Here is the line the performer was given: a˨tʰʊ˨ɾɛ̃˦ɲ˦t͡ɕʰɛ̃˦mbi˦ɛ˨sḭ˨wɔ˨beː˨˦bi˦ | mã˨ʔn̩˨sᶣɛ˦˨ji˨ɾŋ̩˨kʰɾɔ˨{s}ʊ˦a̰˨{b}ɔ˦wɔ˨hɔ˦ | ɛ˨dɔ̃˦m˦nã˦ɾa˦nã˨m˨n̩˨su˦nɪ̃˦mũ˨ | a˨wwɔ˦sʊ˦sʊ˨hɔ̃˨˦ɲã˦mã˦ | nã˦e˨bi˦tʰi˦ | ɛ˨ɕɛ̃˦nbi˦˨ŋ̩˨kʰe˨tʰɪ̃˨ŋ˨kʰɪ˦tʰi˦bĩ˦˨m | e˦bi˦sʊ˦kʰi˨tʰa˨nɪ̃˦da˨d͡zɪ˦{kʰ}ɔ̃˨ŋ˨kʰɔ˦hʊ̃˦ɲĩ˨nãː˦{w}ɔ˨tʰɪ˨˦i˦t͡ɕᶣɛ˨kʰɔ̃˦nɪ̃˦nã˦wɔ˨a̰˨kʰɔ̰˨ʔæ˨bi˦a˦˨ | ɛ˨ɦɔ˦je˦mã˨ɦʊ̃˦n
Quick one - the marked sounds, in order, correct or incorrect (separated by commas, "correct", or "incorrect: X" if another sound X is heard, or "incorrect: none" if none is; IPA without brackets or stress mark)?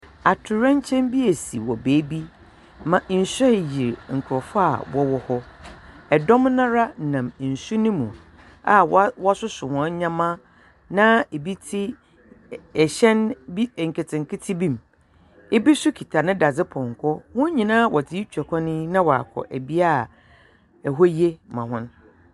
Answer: incorrect: f, incorrect: w, incorrect: pʰ, correct